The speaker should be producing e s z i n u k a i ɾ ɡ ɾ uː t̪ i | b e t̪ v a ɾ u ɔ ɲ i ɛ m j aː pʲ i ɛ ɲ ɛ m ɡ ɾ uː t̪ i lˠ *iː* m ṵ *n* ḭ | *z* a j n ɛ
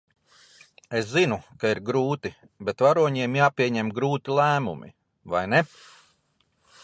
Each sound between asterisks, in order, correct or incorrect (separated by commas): incorrect, incorrect, incorrect